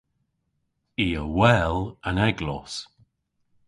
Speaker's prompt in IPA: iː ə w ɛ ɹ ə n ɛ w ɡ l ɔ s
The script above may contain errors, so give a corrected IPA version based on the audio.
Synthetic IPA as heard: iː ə w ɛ l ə n ɛ ɡ l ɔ s